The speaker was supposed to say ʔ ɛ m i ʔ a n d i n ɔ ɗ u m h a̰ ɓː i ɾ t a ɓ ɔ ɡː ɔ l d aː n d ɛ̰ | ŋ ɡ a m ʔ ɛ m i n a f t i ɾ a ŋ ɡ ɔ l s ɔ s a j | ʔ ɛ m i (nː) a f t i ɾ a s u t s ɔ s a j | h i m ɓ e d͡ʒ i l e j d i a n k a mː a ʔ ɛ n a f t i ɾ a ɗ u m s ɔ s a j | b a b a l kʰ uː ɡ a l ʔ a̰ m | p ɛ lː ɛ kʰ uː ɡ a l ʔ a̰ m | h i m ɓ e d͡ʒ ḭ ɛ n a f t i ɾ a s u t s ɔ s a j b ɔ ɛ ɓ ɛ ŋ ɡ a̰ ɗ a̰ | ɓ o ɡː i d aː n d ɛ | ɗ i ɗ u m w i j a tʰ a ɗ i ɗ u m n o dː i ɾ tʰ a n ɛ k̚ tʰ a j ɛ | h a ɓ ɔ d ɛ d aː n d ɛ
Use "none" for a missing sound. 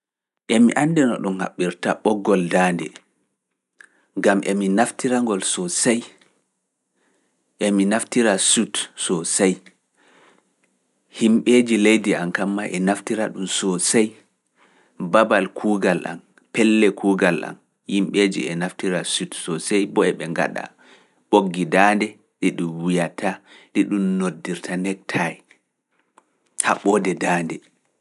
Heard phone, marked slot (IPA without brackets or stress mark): n